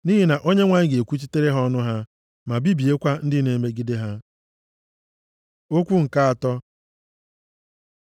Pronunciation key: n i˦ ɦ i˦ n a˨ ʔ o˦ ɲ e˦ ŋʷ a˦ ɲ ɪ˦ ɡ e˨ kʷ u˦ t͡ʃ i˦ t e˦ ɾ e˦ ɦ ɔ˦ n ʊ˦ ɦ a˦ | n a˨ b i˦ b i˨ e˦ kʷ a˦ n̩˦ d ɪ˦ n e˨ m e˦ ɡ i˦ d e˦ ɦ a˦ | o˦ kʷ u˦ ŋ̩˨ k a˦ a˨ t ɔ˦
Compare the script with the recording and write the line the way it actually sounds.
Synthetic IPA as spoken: n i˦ ɦ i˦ n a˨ ʔ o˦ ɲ e˦ ŋʷ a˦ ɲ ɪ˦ ɡ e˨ kʷ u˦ t͡ʃ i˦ t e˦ ɾ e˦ ɦ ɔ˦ n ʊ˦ ɦ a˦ | m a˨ b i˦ b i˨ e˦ kʷ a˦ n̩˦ d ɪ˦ n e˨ m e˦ ɡ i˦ d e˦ ɦ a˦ | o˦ kʷ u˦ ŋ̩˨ k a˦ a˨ t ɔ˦